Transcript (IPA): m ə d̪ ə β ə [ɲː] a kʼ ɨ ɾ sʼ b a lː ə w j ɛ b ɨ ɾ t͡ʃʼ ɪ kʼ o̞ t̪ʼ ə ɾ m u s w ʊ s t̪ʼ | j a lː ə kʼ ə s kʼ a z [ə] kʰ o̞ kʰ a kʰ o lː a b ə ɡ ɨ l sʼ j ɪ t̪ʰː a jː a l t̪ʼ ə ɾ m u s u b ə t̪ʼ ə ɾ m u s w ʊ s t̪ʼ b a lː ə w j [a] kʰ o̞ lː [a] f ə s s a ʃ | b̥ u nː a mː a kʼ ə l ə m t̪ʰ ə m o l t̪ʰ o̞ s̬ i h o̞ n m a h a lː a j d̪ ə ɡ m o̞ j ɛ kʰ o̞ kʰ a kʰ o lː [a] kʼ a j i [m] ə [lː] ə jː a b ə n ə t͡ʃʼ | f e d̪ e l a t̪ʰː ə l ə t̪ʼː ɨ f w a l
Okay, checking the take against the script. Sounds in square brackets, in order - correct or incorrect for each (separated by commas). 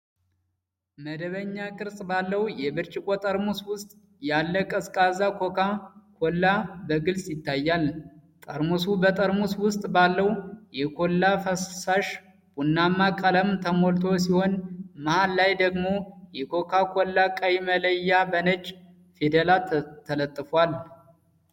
correct, incorrect, incorrect, correct, correct, correct, incorrect